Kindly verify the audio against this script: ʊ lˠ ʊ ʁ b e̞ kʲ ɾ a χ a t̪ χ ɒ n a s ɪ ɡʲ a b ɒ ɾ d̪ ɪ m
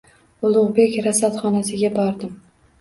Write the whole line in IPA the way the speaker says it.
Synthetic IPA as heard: ʊ lˠ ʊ ʁ b e̞ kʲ ɾ a s a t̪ χ ɒ n a s ɪ ɡʲ a b ɒ ɾ d̪ ɪ m